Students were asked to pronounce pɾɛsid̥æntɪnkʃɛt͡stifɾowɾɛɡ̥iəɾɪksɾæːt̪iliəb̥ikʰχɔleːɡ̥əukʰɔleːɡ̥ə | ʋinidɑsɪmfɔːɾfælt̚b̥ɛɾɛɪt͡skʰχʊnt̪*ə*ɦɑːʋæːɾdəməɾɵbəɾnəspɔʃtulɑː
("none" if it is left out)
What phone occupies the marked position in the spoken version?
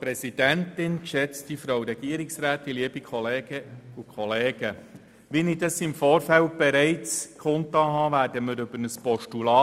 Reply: ɑ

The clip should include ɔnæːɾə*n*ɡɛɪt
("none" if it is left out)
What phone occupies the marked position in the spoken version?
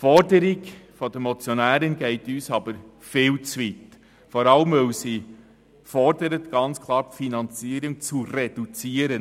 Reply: n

